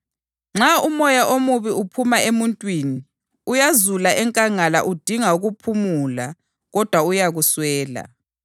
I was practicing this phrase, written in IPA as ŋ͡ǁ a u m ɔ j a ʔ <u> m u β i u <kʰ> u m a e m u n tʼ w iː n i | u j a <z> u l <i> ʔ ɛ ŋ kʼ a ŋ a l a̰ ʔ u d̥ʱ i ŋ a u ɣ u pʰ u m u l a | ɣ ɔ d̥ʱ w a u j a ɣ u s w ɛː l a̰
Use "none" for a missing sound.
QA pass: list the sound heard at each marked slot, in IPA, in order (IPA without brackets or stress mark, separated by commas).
o, pʰ, z, a